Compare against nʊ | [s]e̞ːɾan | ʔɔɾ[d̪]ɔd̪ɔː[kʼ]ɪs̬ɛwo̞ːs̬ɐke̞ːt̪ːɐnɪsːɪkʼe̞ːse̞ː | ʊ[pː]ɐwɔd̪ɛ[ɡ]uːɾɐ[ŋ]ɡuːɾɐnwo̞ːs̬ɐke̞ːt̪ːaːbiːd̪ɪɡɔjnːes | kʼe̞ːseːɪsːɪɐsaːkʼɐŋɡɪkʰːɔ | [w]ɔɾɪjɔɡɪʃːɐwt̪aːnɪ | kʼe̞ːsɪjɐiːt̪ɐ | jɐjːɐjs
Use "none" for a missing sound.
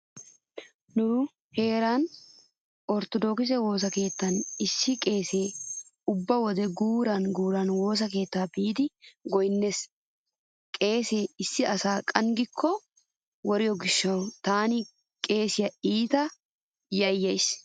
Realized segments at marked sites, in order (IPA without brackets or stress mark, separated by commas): h, t̪, k, bː, ɡ, n, w